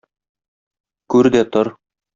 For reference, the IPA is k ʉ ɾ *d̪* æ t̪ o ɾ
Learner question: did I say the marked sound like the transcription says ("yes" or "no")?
yes